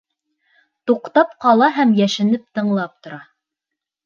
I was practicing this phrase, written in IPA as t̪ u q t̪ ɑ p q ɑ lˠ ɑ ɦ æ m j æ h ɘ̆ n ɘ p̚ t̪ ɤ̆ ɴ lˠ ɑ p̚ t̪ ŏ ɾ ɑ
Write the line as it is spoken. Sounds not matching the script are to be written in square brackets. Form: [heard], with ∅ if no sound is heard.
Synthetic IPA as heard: t̪ u q t̪ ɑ p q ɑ lˠ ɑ ɦ æ m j æ [ʃ] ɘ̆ n ɘ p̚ t̪ ɤ̆ ɴ lˠ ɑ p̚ t̪ ŏ ɾ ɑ